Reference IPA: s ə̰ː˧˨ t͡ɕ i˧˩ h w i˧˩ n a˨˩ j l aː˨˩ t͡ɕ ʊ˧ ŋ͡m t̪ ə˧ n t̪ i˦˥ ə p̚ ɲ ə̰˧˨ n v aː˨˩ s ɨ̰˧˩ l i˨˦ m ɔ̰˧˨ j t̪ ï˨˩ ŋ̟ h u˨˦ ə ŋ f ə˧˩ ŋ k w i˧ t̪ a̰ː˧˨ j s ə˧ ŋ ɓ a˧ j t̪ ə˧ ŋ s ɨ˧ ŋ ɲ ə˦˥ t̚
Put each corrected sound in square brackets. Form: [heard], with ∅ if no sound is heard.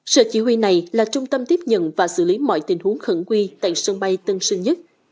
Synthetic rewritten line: s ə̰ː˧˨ t͡ɕ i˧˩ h w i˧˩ n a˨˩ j l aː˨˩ t͡ɕ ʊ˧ ŋ͡m t̪ ə˧ [m] t̪ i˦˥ ə p̚ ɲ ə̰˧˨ n v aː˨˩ s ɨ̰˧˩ l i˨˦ m ɔ̰˧˨ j t̪ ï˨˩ ŋ̟ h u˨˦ ə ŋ [x] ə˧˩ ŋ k w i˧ t̪ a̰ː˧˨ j s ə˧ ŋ ɓ a˧ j t̪ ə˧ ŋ s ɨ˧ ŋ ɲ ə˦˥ t̚